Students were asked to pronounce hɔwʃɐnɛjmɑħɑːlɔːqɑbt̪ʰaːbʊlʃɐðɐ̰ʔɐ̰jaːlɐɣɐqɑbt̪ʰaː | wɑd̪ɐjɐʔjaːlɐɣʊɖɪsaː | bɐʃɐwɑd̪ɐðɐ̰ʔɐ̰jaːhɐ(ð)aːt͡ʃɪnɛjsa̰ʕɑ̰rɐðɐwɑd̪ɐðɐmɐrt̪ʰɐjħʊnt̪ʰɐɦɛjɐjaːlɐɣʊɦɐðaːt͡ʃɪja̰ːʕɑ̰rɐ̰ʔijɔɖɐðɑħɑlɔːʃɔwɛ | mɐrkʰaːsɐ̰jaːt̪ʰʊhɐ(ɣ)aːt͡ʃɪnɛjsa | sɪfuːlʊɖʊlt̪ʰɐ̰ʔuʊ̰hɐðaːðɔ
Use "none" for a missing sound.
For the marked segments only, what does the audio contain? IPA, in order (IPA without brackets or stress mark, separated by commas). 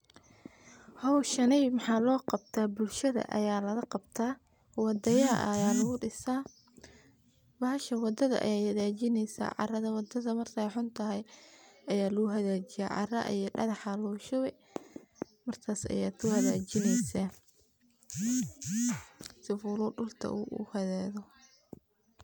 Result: ð, ð